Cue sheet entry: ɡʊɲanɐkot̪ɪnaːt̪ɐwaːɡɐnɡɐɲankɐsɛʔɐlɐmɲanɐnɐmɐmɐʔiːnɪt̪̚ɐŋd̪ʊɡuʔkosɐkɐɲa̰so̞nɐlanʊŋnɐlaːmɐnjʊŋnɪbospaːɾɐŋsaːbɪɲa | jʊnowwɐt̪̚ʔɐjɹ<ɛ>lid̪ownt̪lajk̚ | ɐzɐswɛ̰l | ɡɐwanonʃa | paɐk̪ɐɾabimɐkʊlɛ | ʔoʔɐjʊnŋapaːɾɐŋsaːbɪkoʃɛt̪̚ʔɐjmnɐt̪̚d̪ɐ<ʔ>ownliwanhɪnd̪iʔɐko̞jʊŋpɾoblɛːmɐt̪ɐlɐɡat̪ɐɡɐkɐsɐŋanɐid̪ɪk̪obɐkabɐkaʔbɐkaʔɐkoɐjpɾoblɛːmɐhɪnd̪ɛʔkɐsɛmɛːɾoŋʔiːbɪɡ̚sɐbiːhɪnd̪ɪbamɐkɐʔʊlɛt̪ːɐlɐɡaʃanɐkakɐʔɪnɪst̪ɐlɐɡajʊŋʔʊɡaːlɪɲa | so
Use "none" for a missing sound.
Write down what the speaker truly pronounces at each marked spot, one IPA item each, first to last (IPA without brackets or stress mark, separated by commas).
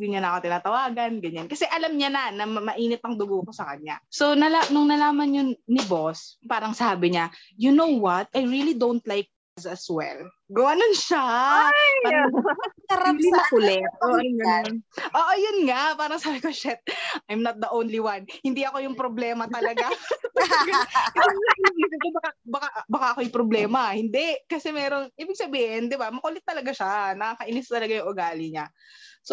i, ʔ